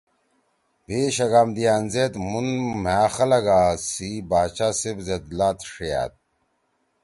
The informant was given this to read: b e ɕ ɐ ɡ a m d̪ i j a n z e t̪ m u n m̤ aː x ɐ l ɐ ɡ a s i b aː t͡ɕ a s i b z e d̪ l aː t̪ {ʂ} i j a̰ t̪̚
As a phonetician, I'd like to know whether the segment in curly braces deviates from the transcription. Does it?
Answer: no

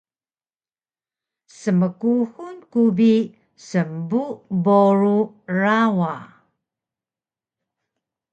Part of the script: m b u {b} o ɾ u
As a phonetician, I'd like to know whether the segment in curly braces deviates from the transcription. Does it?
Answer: no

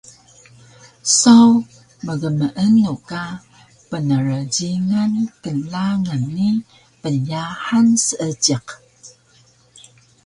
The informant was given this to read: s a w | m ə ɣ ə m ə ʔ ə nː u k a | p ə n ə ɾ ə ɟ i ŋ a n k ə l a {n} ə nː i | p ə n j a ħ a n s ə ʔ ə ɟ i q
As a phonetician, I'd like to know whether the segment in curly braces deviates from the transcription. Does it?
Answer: yes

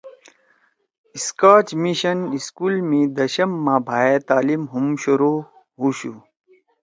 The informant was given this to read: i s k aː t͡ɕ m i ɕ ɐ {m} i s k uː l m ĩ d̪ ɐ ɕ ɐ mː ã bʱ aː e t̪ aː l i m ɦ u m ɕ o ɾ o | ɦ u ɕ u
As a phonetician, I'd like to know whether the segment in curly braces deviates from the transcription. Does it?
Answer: yes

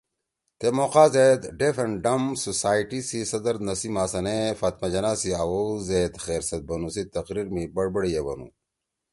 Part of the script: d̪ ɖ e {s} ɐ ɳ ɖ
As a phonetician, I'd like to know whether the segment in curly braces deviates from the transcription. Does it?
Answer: yes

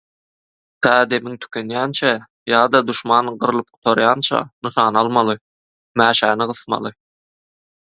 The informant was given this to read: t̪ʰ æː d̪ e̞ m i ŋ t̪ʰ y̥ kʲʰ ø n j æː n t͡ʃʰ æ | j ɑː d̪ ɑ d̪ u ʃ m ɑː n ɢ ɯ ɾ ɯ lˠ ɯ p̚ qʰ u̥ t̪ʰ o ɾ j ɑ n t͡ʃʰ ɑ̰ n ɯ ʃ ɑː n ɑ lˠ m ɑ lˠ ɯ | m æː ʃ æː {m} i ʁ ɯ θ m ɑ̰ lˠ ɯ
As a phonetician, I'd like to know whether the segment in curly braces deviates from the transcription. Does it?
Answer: yes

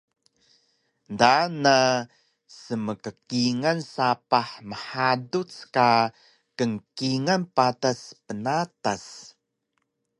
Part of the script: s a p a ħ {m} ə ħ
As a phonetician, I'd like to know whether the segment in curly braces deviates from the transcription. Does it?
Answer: no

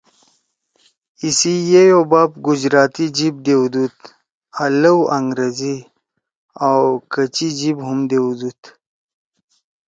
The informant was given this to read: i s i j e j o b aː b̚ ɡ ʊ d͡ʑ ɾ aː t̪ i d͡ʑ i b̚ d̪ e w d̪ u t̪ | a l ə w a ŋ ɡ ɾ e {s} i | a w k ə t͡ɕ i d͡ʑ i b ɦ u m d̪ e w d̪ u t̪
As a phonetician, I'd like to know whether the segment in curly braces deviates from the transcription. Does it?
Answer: yes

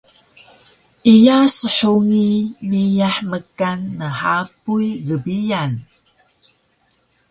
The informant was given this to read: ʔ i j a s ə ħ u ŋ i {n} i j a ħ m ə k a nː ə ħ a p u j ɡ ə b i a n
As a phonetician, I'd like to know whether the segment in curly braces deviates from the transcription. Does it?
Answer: yes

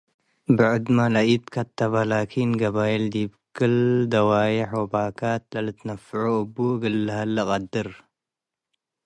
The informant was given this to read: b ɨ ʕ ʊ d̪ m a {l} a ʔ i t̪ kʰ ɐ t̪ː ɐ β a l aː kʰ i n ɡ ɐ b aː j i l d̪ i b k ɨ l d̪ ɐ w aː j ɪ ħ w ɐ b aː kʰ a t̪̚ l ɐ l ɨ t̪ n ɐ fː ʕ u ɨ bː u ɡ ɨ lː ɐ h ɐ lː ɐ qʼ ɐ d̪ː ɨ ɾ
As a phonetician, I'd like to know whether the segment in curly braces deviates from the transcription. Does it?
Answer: no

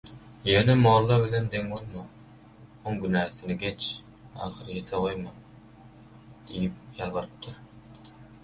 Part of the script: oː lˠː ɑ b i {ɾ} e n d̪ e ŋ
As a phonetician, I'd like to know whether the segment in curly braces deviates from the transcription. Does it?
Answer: yes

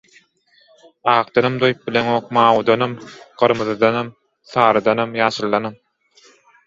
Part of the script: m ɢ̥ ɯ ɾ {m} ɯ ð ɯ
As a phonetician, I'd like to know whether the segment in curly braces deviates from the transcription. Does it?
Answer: no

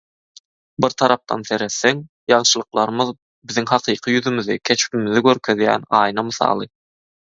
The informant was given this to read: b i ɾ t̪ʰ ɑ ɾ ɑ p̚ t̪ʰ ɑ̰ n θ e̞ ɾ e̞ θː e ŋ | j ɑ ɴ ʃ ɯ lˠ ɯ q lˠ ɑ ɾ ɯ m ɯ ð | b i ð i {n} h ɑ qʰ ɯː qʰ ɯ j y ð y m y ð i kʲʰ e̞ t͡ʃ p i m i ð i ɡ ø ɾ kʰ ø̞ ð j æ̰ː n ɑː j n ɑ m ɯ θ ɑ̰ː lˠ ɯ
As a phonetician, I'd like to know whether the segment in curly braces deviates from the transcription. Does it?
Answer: yes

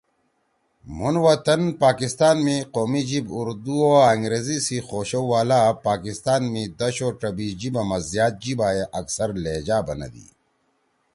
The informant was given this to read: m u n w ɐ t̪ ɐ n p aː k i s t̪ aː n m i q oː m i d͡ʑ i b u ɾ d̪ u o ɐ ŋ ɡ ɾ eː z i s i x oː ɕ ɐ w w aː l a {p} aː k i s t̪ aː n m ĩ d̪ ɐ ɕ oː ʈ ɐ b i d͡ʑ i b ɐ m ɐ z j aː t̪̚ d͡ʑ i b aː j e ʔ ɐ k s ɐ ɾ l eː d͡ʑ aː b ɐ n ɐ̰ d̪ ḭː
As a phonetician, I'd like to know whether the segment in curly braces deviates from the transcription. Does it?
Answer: no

